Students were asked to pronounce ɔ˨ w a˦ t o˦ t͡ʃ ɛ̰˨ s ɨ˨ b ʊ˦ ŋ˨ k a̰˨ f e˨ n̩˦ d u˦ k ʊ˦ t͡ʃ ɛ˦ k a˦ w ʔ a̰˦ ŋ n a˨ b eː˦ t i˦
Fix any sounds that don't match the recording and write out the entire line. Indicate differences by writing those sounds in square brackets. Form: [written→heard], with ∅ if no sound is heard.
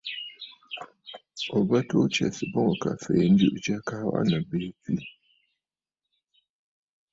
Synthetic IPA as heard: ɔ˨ [w→b] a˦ t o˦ t͡ʃ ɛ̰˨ s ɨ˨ b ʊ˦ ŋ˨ k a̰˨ f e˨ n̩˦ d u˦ [k→ʔ] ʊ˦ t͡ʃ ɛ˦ k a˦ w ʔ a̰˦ [ŋ→∅] n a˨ b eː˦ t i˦